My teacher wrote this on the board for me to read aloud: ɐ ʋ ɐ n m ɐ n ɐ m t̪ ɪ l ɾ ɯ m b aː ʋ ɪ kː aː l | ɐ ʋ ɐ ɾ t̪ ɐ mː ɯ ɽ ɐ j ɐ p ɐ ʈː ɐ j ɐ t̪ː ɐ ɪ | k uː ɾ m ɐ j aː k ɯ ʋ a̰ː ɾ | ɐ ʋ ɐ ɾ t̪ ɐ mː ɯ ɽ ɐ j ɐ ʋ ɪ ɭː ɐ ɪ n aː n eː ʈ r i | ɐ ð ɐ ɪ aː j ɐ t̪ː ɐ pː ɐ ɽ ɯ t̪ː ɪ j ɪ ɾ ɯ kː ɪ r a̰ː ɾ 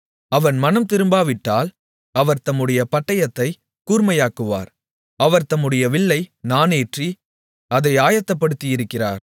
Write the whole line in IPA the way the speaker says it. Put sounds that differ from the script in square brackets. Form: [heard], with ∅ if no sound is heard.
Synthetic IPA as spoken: ɐ ʋ ɐ n m ɐ n ɐ m t̪ ɪ [∅] ɾ ɯ m b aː ʋ ɪ [ʈː] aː l | ɐ ʋ ɐ ɾ t̪ ɐ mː ɯ ɽ ɐ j ɐ p ɐ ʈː ɐ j ɐ t̪ː ɐ ɪ | k uː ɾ m ɐ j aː k ɯ ʋ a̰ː ɾ | ɐ ʋ ɐ ɾ t̪ ɐ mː ɯ ɽ ɐ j ɐ ʋ ɪ ɭː ɐ ɪ n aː n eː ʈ r i | ɐ ð ɐ ɪ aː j ɐ t̪ː ɐ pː ɐ ɽ ɯ t̪ː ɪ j ɪ ɾ ɯ kː ɪ r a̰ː ɾ